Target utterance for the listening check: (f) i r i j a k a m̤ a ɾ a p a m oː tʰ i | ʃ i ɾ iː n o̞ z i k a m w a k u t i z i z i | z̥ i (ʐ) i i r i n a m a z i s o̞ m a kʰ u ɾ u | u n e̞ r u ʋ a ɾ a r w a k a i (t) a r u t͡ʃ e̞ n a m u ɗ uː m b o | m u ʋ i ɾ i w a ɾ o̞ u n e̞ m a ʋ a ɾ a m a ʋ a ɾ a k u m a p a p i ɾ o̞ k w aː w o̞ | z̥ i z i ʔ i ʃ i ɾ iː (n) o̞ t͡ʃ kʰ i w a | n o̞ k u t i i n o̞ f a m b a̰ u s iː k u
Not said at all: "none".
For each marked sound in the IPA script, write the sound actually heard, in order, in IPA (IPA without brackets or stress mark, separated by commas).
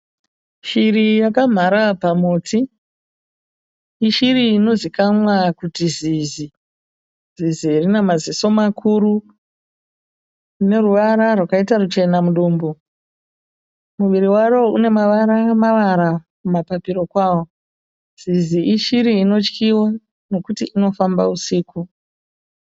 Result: ʃ, z, t, n